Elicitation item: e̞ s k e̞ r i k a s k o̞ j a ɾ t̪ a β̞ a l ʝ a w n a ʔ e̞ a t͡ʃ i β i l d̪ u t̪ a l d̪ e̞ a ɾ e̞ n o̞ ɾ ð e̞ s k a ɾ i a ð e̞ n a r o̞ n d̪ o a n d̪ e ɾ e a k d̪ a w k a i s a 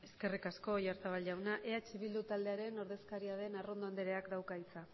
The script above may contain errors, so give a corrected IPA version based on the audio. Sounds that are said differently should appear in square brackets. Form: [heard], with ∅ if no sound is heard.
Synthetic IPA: e̞ s k e̞ r i k a s k o̞ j a ɾ t̪ a β̞ a l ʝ a w n a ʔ e̞ a t͡ʃ i β i l d̪ u t̪ a l d̪ e̞ a ɾ e̞ n o̞ ɾ ð e̞ s k a ɾ i a ð e̞ n a r o̞ n d̪ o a n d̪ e ɾ e a k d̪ a w k a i [t͡s] a